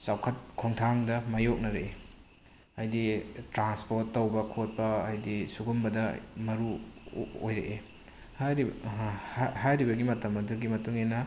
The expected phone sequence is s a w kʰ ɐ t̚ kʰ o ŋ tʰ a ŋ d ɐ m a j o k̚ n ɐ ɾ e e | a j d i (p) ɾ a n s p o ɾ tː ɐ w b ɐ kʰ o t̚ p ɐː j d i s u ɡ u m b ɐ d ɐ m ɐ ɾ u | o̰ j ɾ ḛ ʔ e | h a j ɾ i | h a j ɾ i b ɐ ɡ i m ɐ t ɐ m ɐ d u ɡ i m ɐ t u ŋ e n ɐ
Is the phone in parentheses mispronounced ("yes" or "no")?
yes